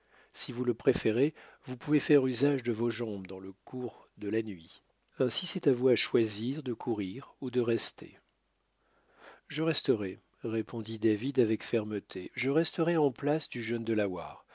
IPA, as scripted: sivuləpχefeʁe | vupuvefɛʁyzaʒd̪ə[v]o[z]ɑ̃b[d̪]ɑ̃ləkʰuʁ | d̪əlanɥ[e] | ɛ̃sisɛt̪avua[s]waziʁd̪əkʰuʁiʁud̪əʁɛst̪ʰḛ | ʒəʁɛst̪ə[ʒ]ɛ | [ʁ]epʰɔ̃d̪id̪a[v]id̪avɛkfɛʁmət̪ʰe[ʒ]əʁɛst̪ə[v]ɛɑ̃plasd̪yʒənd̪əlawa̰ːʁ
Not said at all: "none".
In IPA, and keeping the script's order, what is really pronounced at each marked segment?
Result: v, ʒ, d̪, i, ʃ, ʁ, ʁ, v, ʒ, ʁ

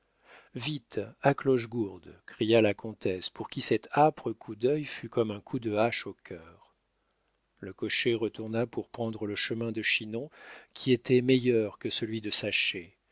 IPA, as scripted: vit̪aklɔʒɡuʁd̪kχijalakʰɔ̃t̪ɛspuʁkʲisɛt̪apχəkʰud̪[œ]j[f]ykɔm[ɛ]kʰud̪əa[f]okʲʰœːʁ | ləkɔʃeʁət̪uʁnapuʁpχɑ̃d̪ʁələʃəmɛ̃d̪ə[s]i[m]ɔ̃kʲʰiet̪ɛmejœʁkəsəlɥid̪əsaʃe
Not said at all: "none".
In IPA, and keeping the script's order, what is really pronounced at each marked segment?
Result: œ, f, ɛ̃, ʃ, ʃ, n

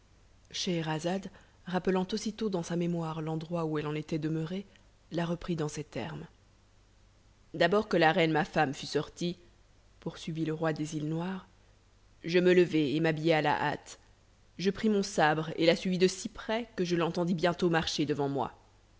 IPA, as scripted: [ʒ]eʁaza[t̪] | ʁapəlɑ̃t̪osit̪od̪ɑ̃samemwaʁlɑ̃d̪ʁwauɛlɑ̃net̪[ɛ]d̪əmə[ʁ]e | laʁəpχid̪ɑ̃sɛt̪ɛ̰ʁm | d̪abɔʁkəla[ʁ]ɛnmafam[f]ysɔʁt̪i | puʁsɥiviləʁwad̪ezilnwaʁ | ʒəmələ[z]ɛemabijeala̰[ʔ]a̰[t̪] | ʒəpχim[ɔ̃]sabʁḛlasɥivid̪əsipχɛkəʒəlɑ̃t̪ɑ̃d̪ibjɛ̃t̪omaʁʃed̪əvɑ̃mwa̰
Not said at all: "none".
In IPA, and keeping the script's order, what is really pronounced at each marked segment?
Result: ʃ, d̪, ɛ, ʁ, ʁ, f, v, ʔ, t̪, ɔ̃

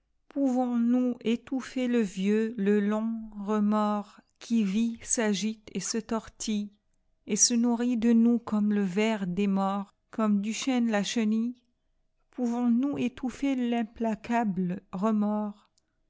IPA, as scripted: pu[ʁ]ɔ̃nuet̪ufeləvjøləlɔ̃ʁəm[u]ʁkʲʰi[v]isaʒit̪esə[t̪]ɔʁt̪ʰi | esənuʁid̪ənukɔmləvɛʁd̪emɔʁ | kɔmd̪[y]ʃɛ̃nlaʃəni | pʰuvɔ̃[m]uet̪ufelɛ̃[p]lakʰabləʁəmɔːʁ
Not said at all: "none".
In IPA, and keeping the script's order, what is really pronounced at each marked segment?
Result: v, ɔ, v, t̪, y, n, p

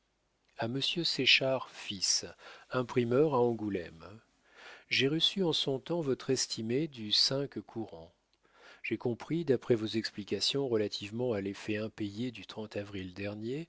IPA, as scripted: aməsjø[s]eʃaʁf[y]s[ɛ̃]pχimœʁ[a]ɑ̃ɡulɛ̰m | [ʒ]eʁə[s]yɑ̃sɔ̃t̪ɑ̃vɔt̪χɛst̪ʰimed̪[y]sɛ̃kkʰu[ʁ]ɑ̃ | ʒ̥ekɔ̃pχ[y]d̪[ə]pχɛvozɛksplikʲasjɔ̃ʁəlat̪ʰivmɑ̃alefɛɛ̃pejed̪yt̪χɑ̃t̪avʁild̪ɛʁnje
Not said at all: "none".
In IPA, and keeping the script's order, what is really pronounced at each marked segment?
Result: s, i, ɛ̃, a, ʒ, s, y, ʁ, i, a

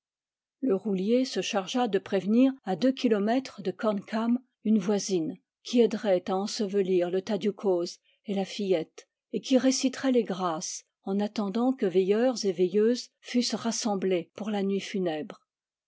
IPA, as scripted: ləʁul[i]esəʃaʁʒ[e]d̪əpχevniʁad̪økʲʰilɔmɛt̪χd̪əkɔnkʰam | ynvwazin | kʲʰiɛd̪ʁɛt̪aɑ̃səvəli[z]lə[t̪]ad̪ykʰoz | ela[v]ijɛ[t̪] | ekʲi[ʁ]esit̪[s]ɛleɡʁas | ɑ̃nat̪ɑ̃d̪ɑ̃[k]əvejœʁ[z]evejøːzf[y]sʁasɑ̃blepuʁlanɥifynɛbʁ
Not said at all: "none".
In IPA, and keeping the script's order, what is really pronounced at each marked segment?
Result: j, a, ʁ, t̪, f, t̪, ʁ, χ, k, z, y

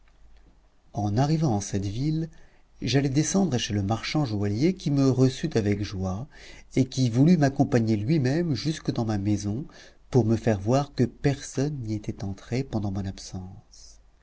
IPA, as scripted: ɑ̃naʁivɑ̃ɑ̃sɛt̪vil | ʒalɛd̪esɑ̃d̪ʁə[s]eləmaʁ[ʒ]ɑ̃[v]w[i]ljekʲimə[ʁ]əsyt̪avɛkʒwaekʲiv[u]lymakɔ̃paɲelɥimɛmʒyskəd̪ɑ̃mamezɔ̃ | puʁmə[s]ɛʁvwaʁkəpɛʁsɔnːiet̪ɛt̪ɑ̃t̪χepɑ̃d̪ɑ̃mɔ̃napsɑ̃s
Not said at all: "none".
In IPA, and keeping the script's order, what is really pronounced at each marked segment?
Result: ʃ, ʃ, ʒ, a, ʁ, u, f

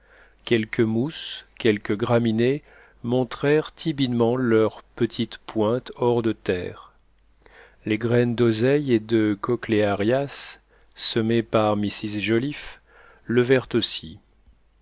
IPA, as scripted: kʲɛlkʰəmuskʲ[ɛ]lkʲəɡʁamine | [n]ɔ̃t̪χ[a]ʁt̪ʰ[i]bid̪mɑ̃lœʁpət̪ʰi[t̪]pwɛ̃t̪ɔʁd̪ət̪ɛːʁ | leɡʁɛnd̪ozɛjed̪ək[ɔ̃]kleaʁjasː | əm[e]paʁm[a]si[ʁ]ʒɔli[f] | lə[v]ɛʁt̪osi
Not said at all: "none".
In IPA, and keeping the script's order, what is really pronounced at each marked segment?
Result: ɛ, m, ɛ, i, t̪, ɔ, e, i, z, f, v

